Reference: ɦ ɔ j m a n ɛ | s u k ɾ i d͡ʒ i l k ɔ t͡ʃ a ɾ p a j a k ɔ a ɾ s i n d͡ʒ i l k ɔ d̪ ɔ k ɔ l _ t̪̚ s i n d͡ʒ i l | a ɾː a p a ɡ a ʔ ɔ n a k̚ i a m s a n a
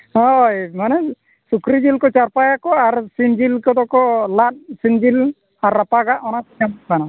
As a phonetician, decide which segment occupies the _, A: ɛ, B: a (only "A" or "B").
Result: B